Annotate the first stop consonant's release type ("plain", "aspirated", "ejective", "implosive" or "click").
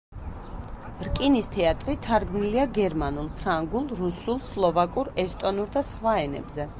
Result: ejective